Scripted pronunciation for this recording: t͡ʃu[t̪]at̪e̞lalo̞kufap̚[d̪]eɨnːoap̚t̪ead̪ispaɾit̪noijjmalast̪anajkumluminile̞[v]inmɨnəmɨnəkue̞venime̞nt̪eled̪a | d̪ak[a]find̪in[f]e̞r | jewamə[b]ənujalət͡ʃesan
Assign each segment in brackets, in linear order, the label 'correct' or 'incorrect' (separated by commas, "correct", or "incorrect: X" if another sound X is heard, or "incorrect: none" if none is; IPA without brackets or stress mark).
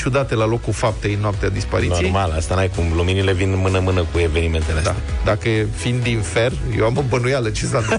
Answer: incorrect: d̪, incorrect: t̪, correct, incorrect: ə, correct, correct